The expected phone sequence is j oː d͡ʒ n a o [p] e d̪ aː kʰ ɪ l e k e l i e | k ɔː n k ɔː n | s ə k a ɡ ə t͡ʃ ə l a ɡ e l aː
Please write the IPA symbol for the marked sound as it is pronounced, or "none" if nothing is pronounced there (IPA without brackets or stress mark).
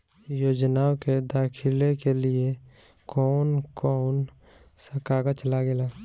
k